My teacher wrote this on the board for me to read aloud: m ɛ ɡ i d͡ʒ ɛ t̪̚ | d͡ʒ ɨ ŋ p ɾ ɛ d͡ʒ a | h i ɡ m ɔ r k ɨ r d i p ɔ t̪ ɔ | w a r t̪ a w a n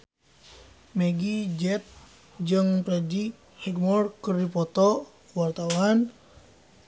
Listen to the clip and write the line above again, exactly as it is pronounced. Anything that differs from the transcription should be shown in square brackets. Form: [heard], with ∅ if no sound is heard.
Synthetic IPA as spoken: m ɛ ɡ i d͡ʒ ɛ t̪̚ | d͡ʒ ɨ ŋ p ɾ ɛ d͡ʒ [i] | h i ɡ m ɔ r k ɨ r d i p ɔ t̪ ɔ | w a r t̪ a w a n